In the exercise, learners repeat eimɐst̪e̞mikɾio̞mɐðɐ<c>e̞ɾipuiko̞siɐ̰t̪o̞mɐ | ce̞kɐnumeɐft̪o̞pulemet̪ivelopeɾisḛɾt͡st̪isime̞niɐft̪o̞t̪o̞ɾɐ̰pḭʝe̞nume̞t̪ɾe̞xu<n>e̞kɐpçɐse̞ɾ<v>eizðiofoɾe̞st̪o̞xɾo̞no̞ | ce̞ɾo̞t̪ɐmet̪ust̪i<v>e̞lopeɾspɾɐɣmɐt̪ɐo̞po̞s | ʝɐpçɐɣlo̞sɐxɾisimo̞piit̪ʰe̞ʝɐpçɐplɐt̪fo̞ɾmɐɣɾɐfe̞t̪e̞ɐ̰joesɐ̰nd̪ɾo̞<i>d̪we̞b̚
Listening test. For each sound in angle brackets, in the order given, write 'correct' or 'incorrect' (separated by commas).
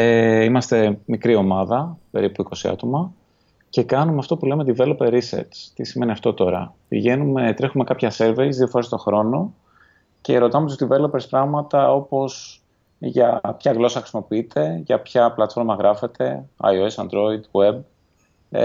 incorrect, incorrect, correct, correct, correct